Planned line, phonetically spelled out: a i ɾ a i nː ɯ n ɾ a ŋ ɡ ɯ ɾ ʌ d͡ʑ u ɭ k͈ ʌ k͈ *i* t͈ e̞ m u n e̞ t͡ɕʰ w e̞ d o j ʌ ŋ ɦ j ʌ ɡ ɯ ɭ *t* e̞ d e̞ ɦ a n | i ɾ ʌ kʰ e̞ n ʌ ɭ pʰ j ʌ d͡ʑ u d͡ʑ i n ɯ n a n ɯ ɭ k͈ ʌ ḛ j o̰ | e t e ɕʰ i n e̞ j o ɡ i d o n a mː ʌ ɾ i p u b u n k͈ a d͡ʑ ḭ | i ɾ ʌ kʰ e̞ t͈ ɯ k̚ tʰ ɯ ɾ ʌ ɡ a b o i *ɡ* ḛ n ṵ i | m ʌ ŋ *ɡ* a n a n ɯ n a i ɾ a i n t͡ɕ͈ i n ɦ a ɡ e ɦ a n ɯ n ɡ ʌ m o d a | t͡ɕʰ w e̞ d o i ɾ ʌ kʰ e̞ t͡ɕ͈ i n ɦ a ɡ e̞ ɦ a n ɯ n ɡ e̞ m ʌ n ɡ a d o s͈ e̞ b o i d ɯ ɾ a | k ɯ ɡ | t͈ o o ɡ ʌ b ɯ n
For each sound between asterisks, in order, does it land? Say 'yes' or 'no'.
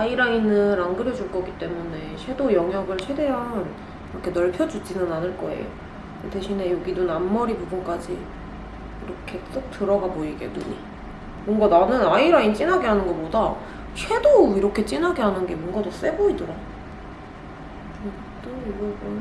yes, no, yes, yes

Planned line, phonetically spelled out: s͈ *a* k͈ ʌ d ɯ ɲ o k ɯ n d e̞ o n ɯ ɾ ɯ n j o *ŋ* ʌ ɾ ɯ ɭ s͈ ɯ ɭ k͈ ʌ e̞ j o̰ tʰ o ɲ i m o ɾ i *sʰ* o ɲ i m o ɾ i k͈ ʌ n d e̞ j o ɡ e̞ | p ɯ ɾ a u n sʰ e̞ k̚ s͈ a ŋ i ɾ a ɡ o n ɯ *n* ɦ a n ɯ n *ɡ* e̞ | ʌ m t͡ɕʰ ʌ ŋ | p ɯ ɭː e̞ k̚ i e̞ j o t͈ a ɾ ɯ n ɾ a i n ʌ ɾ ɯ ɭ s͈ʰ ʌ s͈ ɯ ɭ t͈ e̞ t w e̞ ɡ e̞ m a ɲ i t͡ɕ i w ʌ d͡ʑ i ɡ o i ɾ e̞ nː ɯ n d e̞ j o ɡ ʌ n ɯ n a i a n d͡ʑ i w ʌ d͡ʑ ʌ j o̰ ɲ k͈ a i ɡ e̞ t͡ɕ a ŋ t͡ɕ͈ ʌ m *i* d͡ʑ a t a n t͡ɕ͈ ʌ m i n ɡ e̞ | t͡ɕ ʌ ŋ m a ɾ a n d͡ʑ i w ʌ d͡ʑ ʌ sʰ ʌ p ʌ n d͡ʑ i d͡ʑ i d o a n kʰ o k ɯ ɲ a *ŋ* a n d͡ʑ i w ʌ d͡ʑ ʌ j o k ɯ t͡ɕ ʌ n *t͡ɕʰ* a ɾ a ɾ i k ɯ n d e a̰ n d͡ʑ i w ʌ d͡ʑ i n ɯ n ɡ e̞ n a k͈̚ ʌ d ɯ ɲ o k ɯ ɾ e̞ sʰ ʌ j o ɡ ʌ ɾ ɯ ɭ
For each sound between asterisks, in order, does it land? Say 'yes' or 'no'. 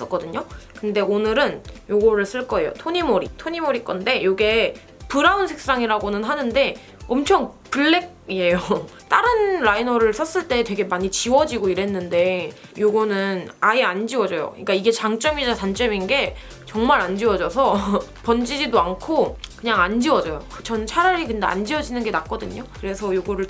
no, no, no, yes, no, yes, yes, yes

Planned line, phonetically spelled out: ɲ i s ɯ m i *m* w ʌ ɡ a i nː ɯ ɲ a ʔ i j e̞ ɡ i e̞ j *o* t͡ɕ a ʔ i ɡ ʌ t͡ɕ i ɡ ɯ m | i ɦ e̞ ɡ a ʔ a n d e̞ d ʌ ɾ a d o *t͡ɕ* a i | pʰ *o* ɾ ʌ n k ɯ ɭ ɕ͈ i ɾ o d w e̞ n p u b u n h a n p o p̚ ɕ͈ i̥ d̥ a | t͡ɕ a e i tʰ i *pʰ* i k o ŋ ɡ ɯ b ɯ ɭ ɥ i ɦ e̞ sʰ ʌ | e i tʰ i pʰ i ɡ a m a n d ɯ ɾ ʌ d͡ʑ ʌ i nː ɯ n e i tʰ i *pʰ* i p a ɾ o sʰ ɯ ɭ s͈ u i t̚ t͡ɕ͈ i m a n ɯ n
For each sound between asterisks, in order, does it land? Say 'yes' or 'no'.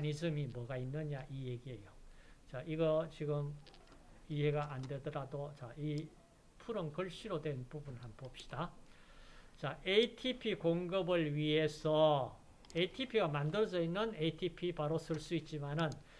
yes, yes, yes, no, yes, yes

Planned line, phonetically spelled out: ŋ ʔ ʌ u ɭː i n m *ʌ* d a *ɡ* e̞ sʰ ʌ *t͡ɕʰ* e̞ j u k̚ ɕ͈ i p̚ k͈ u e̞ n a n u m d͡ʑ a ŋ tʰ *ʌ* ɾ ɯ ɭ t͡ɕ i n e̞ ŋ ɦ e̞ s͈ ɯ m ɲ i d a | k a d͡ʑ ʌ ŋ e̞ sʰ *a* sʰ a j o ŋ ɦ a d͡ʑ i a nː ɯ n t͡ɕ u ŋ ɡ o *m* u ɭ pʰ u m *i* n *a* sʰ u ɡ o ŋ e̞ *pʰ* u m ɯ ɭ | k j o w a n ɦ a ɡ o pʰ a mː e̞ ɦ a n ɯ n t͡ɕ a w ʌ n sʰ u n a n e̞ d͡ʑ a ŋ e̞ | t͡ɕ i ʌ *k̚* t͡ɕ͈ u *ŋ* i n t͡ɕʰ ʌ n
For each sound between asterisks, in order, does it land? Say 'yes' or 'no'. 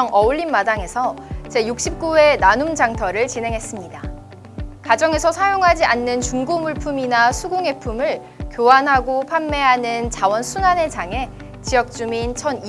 no, no, no, yes, no, yes, yes, yes, yes, yes, no

